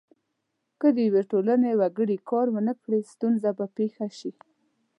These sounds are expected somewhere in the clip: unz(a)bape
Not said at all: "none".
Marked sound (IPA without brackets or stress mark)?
a